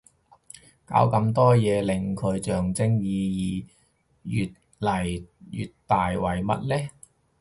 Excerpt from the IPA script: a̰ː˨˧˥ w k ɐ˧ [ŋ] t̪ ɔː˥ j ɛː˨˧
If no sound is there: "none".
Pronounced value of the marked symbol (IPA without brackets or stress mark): m